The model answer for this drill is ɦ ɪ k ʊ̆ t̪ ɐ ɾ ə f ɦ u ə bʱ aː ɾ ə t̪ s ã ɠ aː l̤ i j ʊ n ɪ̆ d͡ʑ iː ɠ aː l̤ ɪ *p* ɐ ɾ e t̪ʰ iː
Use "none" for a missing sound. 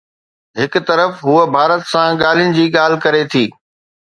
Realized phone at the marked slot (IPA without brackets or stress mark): k